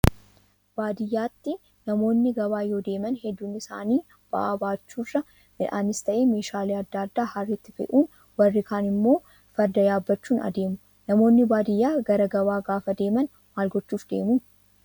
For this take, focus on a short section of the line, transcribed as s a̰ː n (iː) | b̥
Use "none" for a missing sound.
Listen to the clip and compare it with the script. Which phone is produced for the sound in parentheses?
iː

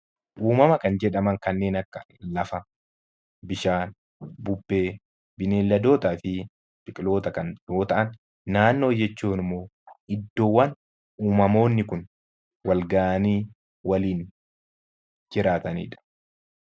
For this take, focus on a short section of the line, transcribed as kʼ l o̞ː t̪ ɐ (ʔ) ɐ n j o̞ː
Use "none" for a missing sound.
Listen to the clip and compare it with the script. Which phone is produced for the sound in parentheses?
k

